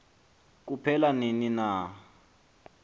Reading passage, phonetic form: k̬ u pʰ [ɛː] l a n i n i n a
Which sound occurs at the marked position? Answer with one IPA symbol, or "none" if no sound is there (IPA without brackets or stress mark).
ɛ